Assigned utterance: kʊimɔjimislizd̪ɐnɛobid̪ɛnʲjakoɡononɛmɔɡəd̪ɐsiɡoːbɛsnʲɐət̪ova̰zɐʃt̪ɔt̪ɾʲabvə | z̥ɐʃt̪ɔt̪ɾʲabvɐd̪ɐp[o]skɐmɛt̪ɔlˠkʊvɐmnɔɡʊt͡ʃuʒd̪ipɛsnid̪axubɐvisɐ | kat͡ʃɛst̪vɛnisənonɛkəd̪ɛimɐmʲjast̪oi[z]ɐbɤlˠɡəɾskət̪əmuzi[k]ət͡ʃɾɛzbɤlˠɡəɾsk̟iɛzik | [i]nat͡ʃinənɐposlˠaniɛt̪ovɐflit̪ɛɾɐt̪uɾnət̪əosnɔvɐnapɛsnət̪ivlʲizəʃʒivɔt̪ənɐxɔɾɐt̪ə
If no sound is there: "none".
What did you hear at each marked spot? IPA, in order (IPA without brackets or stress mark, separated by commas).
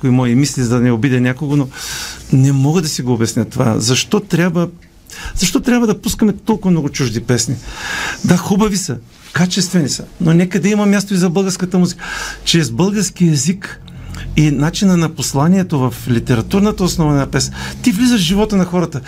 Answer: u, z, k, i